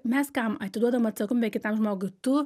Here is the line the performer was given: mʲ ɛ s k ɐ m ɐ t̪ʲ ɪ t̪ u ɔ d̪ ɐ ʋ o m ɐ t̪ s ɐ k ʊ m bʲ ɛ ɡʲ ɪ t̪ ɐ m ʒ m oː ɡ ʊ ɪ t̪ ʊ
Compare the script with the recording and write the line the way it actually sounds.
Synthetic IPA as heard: mʲ ɛ s k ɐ m ɐ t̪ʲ ɪ d̪ u ɔ d̪ ɐ ʋ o m ɐ t̪ s ɐ k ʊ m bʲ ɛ kʲ ɪ t̪ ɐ m ʒ m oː ɡ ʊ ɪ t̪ ʊ